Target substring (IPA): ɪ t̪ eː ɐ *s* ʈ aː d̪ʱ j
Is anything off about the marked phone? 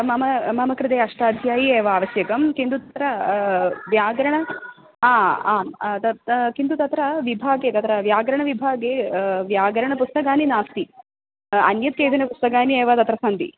yes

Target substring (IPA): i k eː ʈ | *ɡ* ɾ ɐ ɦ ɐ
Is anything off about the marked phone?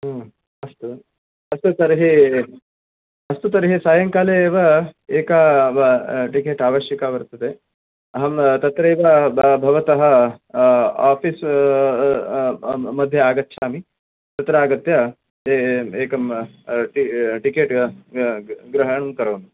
no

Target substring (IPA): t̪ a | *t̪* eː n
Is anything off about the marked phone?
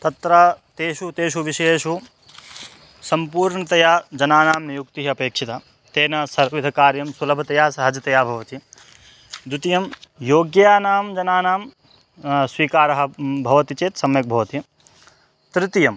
no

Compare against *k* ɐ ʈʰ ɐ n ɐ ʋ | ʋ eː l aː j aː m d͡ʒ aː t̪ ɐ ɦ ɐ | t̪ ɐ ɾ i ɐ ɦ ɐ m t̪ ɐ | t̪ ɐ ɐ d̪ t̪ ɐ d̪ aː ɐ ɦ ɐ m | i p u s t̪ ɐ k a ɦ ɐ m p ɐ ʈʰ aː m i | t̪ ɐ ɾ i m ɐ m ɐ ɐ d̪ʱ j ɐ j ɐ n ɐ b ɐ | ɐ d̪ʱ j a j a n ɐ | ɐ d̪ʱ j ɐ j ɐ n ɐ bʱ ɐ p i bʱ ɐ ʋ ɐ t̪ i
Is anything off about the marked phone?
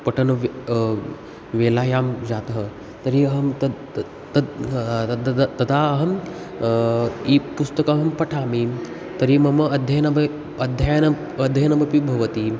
yes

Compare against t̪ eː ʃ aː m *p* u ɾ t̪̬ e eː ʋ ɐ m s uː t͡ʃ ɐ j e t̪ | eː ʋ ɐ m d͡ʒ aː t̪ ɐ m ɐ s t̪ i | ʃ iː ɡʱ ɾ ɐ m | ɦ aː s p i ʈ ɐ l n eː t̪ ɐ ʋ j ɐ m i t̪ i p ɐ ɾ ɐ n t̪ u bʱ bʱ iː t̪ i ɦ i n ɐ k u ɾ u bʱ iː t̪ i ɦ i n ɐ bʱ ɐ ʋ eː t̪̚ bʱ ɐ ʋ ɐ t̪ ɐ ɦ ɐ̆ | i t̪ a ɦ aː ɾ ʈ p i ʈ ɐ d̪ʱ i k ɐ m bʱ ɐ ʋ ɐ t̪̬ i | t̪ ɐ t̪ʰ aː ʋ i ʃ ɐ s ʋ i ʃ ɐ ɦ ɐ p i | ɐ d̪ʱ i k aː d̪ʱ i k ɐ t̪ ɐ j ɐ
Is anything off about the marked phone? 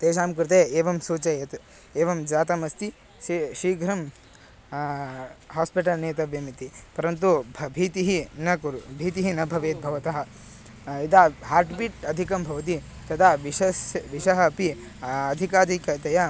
yes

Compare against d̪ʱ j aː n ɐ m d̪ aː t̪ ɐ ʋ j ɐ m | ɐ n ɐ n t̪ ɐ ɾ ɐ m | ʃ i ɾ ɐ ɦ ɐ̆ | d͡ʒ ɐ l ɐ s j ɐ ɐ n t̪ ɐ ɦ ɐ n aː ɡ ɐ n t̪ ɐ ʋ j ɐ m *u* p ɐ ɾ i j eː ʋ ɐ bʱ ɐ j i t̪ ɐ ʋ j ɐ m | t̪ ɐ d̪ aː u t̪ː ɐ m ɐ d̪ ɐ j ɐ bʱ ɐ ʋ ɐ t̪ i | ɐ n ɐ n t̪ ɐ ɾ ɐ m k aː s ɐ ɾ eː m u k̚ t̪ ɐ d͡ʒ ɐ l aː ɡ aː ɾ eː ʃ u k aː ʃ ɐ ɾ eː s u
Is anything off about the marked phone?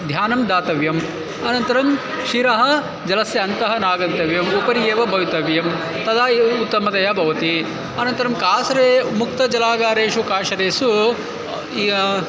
no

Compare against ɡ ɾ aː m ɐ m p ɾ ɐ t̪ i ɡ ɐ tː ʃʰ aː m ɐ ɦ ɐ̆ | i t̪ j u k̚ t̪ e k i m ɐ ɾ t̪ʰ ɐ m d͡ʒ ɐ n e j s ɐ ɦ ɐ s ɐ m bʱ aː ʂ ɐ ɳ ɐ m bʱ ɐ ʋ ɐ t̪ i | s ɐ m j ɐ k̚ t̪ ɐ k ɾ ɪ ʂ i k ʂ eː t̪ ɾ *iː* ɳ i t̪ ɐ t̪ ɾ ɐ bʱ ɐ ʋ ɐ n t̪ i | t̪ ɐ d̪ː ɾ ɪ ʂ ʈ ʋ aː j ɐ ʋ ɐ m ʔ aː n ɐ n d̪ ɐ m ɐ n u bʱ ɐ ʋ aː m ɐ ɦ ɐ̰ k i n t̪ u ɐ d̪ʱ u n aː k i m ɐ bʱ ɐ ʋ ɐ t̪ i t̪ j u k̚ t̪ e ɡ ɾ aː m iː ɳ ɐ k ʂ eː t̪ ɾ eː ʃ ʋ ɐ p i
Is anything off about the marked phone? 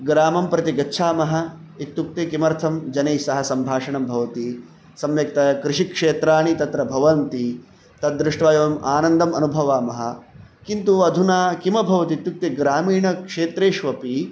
yes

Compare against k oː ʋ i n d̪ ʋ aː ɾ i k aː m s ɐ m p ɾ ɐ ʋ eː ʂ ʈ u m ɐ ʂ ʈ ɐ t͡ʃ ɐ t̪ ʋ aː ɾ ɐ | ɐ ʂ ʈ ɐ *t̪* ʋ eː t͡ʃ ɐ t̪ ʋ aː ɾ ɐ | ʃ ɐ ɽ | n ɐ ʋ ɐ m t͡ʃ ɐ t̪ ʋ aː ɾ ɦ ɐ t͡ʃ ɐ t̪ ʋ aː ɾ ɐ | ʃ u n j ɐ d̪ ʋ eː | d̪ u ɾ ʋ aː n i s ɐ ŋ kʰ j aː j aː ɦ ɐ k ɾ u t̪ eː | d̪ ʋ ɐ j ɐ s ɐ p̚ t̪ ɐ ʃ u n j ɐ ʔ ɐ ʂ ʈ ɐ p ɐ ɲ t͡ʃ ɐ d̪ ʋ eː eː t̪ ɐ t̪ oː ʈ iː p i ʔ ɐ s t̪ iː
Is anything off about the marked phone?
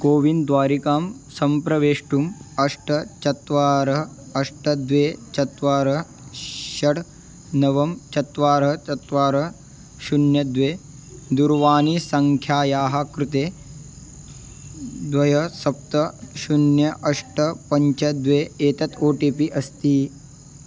yes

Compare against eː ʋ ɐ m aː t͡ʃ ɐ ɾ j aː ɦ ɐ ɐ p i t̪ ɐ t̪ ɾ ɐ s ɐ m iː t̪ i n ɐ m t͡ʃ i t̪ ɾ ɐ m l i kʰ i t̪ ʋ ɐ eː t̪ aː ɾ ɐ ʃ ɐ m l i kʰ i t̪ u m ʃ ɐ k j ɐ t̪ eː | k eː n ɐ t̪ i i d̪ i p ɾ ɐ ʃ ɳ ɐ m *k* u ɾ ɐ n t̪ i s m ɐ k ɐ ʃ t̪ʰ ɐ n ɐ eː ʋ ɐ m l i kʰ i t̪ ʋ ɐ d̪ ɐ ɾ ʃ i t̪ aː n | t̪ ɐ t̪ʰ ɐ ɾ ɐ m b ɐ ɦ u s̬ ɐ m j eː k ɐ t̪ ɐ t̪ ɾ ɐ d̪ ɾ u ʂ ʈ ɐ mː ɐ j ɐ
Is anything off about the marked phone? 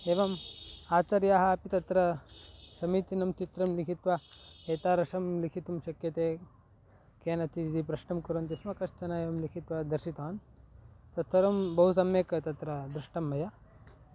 no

